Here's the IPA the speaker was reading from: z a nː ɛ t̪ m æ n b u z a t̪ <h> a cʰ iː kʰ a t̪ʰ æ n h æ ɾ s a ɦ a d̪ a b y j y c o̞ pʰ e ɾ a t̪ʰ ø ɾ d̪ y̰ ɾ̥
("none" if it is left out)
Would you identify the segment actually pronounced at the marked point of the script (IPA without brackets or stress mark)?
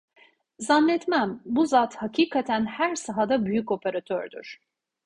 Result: h